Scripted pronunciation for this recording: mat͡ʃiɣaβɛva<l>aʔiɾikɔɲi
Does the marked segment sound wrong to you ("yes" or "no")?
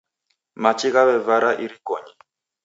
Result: yes